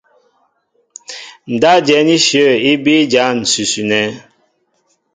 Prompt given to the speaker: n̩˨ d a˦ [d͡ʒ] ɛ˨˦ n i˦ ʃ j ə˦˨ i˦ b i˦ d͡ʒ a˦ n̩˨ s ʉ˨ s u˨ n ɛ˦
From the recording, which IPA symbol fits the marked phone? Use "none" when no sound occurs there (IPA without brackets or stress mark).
d͡ʒ